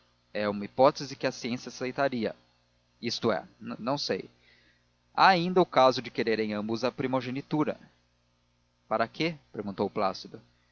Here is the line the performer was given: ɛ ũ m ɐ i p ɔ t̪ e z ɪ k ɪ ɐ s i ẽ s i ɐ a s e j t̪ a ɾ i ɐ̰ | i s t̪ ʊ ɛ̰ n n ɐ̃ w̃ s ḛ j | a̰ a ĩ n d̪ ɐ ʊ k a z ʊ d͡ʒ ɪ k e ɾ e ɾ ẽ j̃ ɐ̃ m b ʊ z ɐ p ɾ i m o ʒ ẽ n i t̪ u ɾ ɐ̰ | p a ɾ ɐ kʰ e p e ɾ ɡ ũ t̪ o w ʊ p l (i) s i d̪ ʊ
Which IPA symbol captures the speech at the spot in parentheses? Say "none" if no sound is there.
a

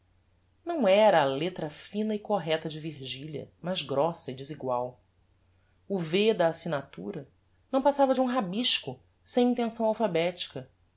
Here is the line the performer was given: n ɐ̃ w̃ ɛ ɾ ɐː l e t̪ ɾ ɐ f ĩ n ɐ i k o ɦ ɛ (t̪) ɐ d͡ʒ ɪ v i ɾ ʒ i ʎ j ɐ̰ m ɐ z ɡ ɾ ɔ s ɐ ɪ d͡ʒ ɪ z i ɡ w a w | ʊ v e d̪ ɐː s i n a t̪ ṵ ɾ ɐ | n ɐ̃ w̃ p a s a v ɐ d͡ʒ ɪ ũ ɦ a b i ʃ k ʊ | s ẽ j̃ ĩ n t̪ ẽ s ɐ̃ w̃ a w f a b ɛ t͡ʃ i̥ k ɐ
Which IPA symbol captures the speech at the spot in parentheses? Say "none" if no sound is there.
t̪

